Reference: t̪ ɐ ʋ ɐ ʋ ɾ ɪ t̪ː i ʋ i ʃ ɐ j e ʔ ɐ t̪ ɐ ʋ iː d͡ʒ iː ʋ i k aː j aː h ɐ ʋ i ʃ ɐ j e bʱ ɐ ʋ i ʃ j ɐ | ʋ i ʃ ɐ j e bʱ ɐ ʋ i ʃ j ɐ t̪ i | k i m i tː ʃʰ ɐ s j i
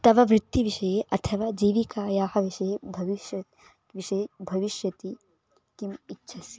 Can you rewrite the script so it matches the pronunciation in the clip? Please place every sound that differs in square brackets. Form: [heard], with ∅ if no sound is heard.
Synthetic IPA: t̪ ɐ ʋ ɐ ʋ ɾ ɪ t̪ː i ʋ i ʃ ɐ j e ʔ ɐ [t̪ʰ] ɐ ʋ [aː] d͡ʒ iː ʋ i k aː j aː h ɐ ʋ i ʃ ɐ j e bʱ ɐ ʋ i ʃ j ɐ | ʋ i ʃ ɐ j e bʱ ɐ ʋ i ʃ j ɐ t̪ i | k i m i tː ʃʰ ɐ s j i

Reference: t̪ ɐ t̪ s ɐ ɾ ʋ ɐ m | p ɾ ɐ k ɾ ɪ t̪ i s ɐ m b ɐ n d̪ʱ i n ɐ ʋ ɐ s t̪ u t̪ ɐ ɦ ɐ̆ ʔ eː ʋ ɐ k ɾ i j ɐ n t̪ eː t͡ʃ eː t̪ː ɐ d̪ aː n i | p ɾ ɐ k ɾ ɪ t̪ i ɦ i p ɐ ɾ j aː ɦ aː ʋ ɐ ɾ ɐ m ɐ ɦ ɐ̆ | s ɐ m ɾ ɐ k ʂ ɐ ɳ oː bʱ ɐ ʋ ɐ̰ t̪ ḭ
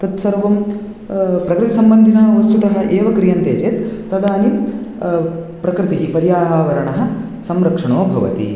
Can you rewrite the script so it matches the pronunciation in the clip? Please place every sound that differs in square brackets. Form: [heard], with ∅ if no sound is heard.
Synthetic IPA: t̪ ɐ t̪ s ɐ ɾ ʋ ɐ m | p ɾ ɐ k ɾ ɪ t̪ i s ɐ m b ɐ n d̪ʱ i n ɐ ʋ ɐ s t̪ u t̪ ɐ ɦ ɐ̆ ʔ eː ʋ ɐ k ɾ i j ɐ n t̪ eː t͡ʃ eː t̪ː ɐ d̪ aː n i | p ɾ ɐ k ɾ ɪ t̪ i ɦ i p ɐ ɾ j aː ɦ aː ʋ ɐ ɾ ɐ [ɳ] ɐ ɦ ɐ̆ | s ɐ m ɾ ɐ k ʂ ɐ ɳ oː bʱ ɐ ʋ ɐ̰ t̪ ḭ

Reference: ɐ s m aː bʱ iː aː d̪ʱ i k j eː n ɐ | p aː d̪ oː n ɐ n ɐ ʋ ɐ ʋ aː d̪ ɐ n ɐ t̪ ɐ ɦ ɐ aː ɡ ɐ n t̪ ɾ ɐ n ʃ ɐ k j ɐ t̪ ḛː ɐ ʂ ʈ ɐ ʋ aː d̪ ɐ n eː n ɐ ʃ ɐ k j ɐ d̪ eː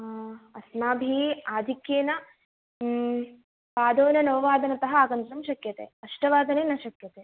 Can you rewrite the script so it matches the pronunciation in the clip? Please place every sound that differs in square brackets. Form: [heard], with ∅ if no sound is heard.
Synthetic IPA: ɐ s m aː bʱ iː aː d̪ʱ i k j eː n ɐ | p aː d̪ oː n ɐ n ɐ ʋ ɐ ʋ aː d̪ ɐ n ɐ t̪ ɐ ɦ ɐ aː ɡ ɐ n t̪ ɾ ɐ [m] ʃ ɐ k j ɐ t̪ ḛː ɐ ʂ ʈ ɐ ʋ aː d̪ ɐ n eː n ɐ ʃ ɐ k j ɐ [t̪] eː

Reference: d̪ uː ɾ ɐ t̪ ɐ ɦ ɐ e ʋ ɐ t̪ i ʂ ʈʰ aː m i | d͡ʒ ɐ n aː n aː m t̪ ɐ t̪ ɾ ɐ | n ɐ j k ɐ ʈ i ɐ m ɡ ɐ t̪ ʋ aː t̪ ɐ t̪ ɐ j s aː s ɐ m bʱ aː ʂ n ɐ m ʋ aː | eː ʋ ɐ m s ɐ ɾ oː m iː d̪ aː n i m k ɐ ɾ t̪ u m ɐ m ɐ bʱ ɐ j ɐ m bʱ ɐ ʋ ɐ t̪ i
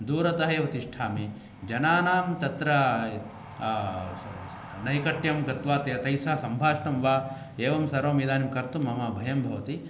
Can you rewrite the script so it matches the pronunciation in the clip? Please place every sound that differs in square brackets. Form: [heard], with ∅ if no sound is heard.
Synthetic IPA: d̪ uː ɾ ɐ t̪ ɐ ɦ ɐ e ʋ ɐ t̪ i ʂ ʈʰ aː m i | d͡ʒ ɐ n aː n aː m t̪ ɐ t̪ ɾ ɐ | n ɐ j k ɐ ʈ [j] ɐ m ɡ ɐ t̪ ʋ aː t̪ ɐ t̪ ɐ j s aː s ɐ m bʱ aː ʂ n ɐ m ʋ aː | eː ʋ ɐ m s ɐ ɾ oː m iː d̪ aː n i m k ɐ ɾ t̪ u m ɐ m ɐ bʱ ɐ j ɐ m bʱ ɐ ʋ ɐ t̪ i

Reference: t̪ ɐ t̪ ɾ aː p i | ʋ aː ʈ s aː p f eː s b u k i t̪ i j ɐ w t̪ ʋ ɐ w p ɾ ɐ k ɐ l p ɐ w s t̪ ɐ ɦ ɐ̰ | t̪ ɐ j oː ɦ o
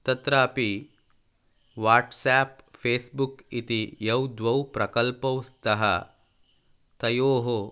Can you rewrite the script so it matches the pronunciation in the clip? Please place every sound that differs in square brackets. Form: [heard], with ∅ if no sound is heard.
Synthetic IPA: t̪ ɐ t̪ ɾ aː p i | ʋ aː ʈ s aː p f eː s b u k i t̪ i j ɐ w [d̪] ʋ ɐ w p ɾ ɐ k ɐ l p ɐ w s t̪ ɐ ɦ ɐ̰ | t̪ ɐ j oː ɦ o

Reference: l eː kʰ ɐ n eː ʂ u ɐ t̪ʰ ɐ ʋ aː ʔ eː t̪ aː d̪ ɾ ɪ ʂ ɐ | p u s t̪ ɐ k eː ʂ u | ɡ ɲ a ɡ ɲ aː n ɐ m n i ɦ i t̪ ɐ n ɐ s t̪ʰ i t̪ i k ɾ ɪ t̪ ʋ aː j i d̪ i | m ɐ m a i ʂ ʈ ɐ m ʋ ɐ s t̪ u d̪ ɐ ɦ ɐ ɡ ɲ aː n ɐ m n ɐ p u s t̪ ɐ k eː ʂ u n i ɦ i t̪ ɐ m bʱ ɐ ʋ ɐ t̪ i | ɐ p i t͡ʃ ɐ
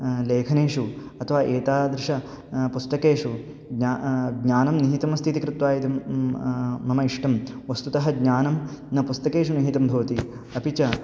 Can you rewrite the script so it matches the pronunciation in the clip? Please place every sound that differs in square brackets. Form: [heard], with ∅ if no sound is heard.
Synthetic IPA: l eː kʰ ɐ n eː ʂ u ɐ t̪ʰ ɐ ʋ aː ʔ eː t̪ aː d̪ ɾ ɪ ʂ ɐ | p u s t̪ ɐ k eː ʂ u | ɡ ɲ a ɡ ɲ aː n ɐ m n i ɦ i t̪ ɐ [m] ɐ s t̪ʰ i t̪ i k ɾ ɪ t̪ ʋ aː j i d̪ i | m ɐ m [ɐ] i ʂ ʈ ɐ m ʋ ɐ s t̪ u [t̪] ɐ ɦ ɐ ɡ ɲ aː n ɐ m n ɐ p u s t̪ ɐ k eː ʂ u n i ɦ i t̪ ɐ m bʱ ɐ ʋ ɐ t̪ i | ɐ p i t͡ʃ ɐ

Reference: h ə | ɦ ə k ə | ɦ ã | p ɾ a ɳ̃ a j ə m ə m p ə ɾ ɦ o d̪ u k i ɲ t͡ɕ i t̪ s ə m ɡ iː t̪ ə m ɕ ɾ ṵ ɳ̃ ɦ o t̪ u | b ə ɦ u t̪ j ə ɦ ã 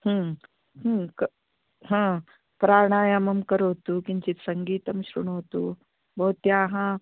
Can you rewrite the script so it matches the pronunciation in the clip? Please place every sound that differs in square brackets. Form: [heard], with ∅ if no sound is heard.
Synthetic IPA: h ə | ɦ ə k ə | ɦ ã | p ɾ a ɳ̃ a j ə m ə m [k] ə ɾ ɦ o [t̪] u k i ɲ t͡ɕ i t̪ s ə [ŋ] ɡ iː t̪ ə m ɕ ɾ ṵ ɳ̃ ɦ o t̪ u | b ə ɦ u t̪ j [a] ɦ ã

